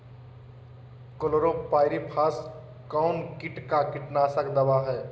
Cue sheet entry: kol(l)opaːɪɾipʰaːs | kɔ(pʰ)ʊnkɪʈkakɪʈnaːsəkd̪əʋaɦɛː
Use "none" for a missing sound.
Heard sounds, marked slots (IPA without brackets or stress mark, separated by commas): ɾ, none